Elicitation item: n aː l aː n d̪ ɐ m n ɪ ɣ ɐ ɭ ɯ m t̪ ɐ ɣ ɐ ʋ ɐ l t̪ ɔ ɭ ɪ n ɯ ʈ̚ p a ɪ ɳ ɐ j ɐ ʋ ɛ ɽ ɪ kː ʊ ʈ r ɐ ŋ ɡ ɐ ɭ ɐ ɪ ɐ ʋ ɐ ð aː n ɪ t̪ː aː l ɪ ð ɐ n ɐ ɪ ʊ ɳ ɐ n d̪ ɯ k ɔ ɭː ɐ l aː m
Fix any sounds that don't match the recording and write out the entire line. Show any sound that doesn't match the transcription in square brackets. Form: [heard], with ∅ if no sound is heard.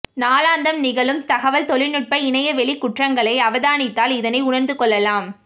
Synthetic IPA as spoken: n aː l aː n d̪ ɐ m n ɪ ɣ ɐ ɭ ɯ m t̪ ɐ ɣ ɐ ʋ ɐ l t̪ ɔ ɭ ɪ n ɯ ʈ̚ p [ɐ] ɪ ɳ ɐ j ɐ ʋ ɛ [ɭ] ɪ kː ʊ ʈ r ɐ ŋ ɡ ɐ ɭ ɐ ɪ ɐ ʋ ɐ ð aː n ɪ t̪ː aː l ɪ ð ɐ n ɐ ɪ ʊ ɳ ɐ n d̪ ɯ k ɔ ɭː ɐ l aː m